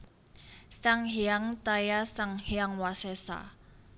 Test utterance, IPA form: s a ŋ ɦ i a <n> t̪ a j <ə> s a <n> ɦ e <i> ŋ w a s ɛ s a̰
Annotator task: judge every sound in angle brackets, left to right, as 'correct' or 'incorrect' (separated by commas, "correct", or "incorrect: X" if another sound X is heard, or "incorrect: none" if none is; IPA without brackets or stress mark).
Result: incorrect: ŋ, incorrect: a, incorrect: ŋ, incorrect: a